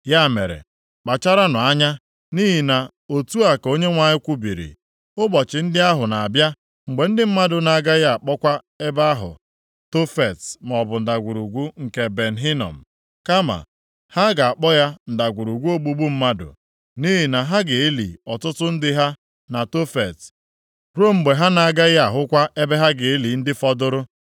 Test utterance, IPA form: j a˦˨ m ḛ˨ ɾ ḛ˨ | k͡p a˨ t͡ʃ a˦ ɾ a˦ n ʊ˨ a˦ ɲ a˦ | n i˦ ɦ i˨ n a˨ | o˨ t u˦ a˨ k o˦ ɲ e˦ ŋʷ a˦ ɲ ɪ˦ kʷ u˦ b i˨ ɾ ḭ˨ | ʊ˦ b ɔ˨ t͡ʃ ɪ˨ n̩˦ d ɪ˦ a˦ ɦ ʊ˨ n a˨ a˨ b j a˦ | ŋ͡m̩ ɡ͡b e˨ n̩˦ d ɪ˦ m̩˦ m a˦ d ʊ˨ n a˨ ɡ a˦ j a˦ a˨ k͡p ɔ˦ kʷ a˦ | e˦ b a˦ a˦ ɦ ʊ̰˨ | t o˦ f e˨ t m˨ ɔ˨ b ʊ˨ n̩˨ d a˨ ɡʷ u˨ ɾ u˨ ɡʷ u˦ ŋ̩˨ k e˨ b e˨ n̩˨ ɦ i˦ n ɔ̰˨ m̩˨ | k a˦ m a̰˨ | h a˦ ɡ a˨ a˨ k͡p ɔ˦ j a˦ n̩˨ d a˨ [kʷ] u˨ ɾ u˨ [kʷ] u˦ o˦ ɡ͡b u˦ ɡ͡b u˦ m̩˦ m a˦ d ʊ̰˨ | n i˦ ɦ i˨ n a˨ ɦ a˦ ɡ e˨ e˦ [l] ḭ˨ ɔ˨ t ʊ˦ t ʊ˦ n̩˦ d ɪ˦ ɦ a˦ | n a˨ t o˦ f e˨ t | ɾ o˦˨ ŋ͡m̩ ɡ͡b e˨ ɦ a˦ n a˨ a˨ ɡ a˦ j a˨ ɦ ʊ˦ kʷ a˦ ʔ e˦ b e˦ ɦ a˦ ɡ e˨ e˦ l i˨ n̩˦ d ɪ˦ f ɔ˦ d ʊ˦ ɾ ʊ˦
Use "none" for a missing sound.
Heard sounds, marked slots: ɡʷ, ɡʷ, l

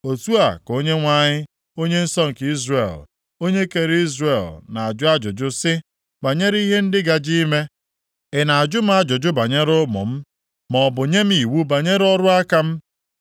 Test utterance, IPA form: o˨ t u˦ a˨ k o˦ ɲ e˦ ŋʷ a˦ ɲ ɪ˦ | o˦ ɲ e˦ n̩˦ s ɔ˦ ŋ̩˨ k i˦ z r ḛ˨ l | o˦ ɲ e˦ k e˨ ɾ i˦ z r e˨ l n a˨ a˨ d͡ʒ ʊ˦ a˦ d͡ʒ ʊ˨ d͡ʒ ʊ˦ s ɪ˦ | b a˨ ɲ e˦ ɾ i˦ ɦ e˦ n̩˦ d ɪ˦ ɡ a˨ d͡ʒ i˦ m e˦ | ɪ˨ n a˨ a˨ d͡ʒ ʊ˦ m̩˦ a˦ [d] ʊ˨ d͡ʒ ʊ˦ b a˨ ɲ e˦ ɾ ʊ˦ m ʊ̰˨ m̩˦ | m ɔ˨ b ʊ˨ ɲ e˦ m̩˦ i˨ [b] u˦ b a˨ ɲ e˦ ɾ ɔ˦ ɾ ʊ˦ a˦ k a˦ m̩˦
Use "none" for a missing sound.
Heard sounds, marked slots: d͡ʒ, w

